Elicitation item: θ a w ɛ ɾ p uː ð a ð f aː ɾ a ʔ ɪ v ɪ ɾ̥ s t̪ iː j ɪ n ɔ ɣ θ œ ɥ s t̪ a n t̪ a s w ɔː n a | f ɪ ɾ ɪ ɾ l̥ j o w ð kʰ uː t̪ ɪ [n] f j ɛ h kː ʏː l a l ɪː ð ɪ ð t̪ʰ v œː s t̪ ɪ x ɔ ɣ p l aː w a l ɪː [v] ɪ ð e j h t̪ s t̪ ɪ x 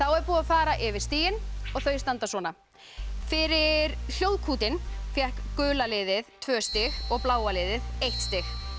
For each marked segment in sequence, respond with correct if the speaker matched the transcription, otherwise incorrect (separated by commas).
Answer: correct, incorrect